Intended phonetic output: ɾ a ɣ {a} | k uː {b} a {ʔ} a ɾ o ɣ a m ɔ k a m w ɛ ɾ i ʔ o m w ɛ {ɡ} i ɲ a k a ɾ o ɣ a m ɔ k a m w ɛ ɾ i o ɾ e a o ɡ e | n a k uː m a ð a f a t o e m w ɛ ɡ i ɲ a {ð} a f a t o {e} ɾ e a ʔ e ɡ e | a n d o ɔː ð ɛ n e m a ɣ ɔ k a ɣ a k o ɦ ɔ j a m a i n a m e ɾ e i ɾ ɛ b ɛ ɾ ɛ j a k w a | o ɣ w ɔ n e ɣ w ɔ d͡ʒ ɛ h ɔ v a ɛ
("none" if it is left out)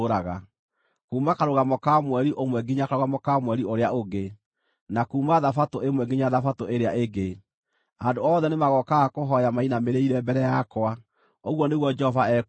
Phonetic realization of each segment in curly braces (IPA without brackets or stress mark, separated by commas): a, m, k, ɡ, ð, e